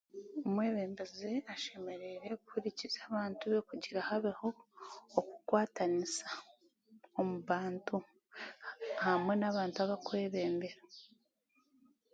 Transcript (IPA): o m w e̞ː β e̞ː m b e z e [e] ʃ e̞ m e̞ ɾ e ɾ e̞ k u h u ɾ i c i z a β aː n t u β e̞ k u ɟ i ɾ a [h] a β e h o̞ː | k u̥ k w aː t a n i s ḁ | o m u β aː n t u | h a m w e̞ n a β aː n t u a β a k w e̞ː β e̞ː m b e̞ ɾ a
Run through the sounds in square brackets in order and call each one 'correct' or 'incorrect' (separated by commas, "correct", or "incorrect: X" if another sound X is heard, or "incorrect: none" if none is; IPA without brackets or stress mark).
incorrect: a, correct